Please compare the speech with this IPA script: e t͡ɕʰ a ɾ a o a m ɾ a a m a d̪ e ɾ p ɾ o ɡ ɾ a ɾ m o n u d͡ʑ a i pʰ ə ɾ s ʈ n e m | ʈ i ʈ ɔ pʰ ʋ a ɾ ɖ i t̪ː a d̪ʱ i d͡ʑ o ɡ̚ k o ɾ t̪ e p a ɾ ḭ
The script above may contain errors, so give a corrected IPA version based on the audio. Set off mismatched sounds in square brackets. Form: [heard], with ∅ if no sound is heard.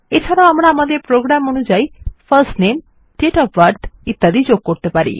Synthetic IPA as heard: e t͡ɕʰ a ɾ a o a m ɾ a a m a d̪ e ɾ p ɾ o ɡ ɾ a [∅] m o n u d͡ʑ a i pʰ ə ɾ s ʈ n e m | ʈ [e] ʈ ɔ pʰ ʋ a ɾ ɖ i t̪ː a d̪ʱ i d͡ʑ o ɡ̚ k o ɾ t̪ e p a ɾ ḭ